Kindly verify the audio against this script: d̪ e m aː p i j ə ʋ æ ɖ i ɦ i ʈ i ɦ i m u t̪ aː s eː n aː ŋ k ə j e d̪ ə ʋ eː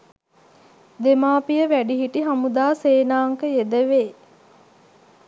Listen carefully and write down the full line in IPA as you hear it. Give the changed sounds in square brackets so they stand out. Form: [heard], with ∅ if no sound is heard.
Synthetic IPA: d̪ e m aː p i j ə ʋ æ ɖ i ɦ i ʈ i ɦ [a] m u [d̪] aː s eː n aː ŋ k ə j e d̪ ə ʋ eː